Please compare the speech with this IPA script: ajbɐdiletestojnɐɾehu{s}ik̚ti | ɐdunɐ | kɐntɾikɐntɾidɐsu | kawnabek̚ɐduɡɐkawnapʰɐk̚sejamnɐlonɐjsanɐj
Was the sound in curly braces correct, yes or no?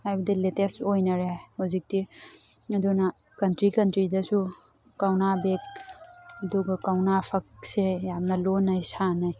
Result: no